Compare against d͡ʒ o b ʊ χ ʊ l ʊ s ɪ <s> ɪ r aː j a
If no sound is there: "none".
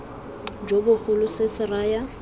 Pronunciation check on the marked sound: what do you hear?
s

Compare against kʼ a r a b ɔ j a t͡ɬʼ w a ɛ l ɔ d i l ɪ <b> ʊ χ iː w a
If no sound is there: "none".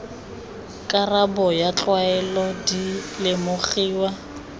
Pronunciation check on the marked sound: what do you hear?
m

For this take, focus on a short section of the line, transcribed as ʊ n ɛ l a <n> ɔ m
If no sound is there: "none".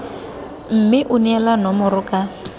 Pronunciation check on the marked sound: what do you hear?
n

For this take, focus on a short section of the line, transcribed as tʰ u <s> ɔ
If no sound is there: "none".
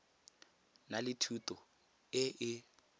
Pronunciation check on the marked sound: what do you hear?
t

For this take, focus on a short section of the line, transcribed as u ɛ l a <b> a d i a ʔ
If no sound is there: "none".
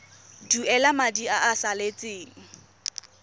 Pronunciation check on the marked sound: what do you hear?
m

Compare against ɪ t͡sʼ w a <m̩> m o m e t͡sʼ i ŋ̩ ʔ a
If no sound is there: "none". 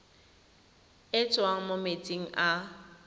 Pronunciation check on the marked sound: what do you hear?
ŋ̩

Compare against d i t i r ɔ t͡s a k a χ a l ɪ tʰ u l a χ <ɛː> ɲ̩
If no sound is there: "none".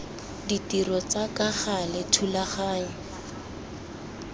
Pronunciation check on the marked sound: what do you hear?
aː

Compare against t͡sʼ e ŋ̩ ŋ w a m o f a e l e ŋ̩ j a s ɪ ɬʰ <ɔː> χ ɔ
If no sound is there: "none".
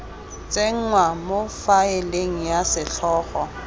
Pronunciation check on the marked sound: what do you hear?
ɔː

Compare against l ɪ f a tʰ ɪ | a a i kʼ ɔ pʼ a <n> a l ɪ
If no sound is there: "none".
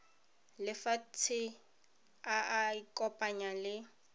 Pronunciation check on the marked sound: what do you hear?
ɲ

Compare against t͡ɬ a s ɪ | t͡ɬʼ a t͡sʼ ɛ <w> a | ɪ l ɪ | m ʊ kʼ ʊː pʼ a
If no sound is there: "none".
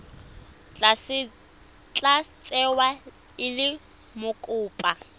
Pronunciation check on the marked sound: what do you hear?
w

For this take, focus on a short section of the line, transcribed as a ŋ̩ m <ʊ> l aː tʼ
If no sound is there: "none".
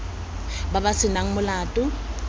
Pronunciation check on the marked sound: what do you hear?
ʊ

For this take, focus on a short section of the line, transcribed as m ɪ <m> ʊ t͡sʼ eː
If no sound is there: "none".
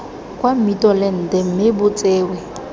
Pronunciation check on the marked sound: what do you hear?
b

